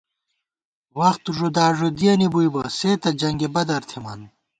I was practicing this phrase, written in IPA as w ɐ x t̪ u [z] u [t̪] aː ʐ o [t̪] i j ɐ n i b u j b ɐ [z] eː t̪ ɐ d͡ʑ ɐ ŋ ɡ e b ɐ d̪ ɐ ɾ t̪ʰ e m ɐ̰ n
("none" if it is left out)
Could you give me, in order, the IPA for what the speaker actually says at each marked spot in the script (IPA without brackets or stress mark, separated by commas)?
ʐ, d̪, d̪, s